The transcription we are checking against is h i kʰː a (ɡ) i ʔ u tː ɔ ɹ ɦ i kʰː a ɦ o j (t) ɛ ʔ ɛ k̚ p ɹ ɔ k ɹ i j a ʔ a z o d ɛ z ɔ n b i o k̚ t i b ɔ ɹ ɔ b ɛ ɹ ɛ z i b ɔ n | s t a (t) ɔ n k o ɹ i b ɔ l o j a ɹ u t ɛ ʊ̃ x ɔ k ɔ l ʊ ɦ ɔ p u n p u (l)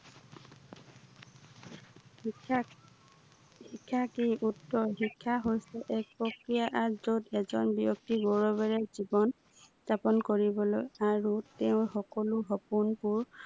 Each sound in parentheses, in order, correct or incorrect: incorrect, incorrect, incorrect, incorrect

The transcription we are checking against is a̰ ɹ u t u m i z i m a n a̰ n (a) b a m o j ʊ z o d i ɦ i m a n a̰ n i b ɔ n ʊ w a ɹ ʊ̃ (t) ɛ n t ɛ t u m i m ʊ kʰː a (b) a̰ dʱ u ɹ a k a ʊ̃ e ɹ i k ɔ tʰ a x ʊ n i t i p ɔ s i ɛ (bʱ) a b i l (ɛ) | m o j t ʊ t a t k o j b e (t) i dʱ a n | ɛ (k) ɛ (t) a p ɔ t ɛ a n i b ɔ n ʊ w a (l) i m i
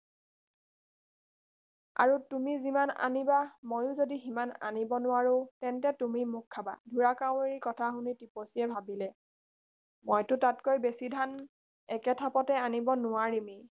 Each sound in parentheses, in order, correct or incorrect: incorrect, correct, correct, correct, correct, incorrect, correct, incorrect, incorrect

